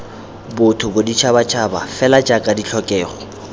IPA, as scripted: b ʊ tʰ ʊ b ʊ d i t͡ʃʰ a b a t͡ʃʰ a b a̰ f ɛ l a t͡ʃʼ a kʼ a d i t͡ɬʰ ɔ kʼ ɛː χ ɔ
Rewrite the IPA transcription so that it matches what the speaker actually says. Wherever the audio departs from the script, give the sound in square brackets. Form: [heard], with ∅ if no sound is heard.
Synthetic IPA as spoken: b ʊ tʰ ʊ b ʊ d i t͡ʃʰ a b a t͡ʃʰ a b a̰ f ɛ l a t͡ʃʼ a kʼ a d i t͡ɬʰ ɔ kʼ ɛː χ ɔ